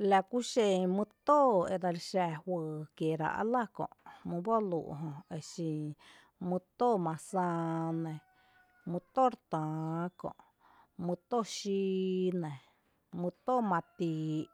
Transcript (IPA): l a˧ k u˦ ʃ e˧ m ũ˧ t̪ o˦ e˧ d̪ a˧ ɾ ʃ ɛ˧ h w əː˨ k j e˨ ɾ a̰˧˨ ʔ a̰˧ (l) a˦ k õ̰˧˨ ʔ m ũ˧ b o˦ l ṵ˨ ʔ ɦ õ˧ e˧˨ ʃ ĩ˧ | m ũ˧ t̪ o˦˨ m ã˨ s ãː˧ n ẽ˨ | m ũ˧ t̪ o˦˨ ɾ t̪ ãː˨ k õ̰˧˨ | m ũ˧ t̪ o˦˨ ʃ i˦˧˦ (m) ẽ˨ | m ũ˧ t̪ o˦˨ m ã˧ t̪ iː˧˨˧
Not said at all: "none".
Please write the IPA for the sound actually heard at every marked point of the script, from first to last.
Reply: l, n

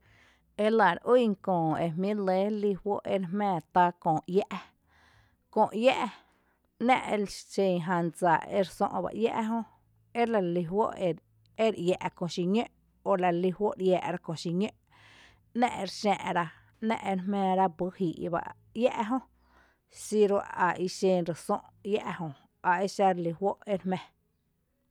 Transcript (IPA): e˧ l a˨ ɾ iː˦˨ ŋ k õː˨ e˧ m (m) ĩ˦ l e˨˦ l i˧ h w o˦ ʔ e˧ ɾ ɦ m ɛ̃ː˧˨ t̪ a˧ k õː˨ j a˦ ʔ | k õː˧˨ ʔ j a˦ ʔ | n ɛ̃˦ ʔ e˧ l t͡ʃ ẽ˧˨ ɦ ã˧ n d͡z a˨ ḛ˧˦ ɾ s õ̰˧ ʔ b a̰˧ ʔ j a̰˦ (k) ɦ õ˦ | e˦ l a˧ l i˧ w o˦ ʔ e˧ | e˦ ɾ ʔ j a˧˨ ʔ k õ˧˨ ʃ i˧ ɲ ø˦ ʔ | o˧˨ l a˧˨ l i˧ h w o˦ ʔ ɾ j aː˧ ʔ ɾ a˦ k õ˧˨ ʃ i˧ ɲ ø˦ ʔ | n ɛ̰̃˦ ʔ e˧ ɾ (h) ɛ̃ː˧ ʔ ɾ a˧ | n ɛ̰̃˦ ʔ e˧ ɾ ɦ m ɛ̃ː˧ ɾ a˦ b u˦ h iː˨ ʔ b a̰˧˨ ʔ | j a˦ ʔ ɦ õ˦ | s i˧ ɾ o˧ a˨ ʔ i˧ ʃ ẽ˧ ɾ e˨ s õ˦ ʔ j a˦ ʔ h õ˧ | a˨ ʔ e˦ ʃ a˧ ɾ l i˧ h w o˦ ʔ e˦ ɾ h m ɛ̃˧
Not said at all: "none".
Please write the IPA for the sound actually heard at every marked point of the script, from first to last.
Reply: m, ʔ, ʃ

